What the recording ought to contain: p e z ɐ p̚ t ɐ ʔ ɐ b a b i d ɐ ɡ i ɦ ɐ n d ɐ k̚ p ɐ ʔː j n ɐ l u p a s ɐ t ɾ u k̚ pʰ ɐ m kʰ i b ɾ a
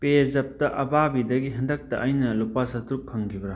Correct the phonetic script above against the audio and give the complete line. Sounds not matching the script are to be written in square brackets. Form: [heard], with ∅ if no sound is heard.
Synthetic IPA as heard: p e z ɐ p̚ t ɐ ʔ ɐ b a b i d ɐ ɡ i ɦ ɐ n d ɐ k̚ [t] ɐ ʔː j n ɐ l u p a s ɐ t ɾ u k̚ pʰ ɐ [ŋ] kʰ i b ɾ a